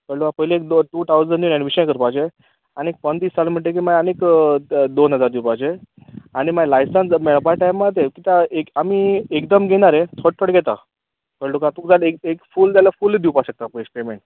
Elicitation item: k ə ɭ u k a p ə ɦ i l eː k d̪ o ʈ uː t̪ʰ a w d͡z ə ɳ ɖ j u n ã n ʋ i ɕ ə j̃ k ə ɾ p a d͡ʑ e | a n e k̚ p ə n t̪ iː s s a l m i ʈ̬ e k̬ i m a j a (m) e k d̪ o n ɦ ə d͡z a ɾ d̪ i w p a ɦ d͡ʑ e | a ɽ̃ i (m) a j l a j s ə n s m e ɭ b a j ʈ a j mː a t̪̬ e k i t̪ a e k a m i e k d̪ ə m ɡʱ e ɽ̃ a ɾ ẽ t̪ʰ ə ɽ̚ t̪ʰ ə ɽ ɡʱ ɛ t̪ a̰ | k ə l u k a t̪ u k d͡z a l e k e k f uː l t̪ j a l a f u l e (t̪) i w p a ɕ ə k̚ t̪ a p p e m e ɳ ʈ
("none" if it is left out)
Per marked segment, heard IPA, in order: n, m, d̪

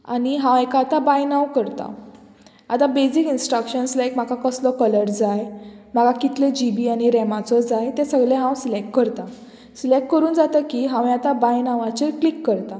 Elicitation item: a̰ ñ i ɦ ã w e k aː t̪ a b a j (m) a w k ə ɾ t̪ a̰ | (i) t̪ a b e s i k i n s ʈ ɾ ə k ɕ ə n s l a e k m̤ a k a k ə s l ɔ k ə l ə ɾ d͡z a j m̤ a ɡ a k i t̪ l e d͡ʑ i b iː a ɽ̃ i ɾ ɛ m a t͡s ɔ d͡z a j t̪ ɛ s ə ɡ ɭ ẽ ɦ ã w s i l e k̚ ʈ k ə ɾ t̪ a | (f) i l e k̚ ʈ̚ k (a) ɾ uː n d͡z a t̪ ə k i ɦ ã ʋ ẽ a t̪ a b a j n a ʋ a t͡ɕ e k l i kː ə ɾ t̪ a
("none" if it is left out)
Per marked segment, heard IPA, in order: n, a, s, ə

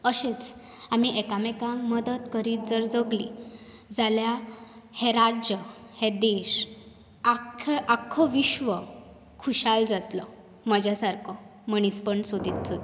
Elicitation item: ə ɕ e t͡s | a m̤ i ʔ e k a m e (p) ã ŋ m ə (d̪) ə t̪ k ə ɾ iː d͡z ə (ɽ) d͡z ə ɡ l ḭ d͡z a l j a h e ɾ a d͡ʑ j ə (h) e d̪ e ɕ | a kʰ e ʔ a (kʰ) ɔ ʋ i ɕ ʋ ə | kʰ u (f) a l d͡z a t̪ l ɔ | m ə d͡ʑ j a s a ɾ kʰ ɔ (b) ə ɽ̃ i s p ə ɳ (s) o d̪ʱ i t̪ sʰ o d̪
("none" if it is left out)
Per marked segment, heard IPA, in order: k, d̪, ɾ, h, kʰ, ɕ, m, s

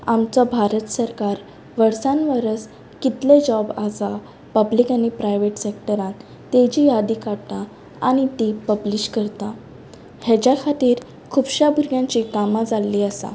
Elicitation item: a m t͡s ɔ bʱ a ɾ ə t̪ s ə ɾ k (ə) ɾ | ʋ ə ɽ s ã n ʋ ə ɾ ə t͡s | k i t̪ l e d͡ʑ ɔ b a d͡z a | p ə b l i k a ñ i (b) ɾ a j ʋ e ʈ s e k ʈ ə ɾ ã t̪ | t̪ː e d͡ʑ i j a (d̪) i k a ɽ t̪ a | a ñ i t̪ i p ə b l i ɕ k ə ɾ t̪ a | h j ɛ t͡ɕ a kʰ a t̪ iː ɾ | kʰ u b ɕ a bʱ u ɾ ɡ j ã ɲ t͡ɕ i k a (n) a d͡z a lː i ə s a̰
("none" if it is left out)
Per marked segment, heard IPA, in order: a, p, d̪, m

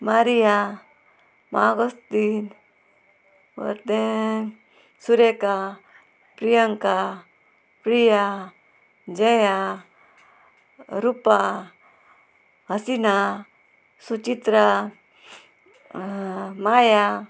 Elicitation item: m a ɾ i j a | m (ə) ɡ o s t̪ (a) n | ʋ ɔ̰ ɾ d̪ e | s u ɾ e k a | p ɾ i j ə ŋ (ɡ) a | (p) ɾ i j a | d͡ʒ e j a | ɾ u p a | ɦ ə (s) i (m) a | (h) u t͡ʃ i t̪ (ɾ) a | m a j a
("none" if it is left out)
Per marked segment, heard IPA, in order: a, i, k, p, s, n, s, ɾ

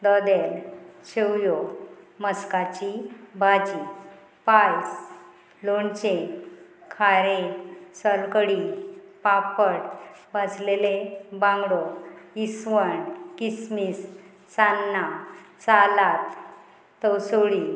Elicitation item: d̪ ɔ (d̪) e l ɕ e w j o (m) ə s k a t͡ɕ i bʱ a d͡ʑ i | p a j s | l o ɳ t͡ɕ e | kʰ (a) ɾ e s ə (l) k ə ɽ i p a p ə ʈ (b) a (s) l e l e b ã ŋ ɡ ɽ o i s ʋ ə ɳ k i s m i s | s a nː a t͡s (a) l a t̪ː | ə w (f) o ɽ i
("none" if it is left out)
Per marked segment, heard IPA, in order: d̪, m, a, l, b, s, a, s

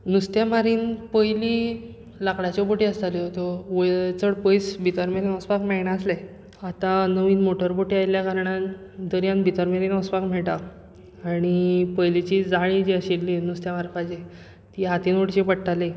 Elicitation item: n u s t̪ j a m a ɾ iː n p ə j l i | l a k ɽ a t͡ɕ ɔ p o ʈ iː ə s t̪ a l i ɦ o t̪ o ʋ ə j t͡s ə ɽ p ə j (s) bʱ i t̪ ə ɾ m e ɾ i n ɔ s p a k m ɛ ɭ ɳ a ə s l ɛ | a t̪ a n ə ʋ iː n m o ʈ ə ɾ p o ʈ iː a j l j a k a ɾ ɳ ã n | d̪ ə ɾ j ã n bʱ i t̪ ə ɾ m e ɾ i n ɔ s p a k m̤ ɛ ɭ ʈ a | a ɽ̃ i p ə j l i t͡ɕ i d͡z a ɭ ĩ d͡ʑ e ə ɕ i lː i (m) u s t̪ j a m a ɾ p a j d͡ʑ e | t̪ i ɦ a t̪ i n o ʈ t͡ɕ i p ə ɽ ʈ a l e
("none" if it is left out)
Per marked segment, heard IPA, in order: s, n

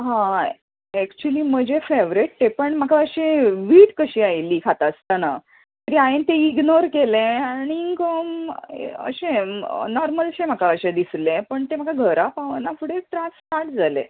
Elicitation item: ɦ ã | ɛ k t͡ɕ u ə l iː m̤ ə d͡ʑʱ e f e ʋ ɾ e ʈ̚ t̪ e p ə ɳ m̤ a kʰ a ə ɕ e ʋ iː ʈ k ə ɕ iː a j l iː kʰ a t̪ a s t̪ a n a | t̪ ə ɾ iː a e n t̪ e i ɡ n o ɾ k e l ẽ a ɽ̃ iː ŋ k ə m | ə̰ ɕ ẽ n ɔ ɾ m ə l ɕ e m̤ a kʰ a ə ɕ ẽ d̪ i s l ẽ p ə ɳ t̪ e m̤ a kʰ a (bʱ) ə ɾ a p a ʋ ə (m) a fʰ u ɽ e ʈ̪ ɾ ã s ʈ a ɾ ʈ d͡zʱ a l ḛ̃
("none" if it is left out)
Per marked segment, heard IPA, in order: ɡʱ, n

